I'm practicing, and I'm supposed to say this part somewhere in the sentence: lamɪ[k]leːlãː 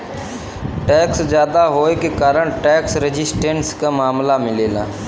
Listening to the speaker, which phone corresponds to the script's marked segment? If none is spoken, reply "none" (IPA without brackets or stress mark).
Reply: none